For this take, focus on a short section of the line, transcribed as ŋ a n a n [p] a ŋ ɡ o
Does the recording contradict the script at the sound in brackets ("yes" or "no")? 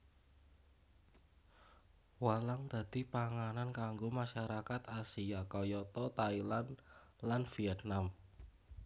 yes